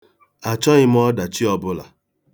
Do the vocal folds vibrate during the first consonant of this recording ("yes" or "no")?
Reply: no